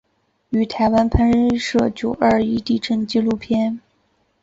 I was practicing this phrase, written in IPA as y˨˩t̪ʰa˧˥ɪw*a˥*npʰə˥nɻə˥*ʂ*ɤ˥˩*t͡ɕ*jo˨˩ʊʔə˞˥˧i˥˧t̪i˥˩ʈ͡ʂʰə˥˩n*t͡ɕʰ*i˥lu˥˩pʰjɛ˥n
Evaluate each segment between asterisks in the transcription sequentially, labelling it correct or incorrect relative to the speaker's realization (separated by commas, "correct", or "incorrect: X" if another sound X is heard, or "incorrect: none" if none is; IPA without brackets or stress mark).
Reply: correct, correct, correct, incorrect: t͡ɕ